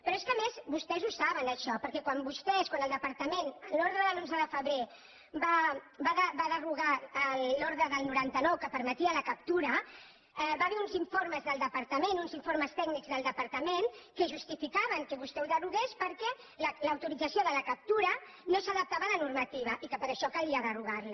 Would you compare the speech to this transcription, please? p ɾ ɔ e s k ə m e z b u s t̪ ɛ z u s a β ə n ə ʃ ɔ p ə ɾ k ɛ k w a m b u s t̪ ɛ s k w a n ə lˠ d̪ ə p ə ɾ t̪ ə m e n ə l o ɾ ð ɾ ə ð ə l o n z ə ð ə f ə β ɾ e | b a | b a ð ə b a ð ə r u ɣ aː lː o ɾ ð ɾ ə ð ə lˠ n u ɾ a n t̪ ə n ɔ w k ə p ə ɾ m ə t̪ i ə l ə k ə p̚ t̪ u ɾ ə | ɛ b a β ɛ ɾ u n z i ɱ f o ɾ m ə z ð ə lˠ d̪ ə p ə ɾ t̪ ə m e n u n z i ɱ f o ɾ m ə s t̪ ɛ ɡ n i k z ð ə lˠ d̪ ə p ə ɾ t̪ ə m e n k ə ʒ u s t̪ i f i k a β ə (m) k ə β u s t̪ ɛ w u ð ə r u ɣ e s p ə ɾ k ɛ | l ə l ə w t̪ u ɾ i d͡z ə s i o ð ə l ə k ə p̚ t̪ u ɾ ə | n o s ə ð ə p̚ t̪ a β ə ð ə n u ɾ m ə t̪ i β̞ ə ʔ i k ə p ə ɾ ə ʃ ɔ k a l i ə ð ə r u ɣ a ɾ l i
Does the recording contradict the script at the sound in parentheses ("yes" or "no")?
yes